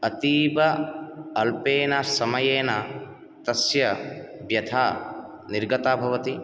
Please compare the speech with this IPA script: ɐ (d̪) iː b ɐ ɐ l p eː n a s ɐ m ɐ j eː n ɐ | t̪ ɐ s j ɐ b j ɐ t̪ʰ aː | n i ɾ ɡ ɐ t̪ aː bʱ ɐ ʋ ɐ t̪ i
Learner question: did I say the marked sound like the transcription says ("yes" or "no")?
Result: no